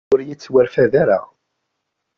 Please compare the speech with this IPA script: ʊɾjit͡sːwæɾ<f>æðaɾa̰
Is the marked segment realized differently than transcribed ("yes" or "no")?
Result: no